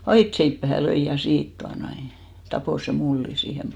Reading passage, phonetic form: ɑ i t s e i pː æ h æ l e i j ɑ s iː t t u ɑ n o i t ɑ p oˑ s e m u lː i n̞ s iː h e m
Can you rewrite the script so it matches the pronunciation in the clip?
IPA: ɑ i t s e i pː æ h æ l ø i j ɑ s iː t t u ɑ n o i t ɑ p oˑ s e m u lː i n̞ s iː h e m